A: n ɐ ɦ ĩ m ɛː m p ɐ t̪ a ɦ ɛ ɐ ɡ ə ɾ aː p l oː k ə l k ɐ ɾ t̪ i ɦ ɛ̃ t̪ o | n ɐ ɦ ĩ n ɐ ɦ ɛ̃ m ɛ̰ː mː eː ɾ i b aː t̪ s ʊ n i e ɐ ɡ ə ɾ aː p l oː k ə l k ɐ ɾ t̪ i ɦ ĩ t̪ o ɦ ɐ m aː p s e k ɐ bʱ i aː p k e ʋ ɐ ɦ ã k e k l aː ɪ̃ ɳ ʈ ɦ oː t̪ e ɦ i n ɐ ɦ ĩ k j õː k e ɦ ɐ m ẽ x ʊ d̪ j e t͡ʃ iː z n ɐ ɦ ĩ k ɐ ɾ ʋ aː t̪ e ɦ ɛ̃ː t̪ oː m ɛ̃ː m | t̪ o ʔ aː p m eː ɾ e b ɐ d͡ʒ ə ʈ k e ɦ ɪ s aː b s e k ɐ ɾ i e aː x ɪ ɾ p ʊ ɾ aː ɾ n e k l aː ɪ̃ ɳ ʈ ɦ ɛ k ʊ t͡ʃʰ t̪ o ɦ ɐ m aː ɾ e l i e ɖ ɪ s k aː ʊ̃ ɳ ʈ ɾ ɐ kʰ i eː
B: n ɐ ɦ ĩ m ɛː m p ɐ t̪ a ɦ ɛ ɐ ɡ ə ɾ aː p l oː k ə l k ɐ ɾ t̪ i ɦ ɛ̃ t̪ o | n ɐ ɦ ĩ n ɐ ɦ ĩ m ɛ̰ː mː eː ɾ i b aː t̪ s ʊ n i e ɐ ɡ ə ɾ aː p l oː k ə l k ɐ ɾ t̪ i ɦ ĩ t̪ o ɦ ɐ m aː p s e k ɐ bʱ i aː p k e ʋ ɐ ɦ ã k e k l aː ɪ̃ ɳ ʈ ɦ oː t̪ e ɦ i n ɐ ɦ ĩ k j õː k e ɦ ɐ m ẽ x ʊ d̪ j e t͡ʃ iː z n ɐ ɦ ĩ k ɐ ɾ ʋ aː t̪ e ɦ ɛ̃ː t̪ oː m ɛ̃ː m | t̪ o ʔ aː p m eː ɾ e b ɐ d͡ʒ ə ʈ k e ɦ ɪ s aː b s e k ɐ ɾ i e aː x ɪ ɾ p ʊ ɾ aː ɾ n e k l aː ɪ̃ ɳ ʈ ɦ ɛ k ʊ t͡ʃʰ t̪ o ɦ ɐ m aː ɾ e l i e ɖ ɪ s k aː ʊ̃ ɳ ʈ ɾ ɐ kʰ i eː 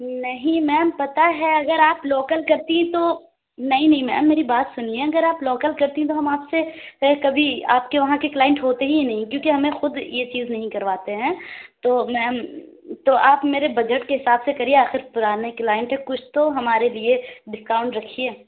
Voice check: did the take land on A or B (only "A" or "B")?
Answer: B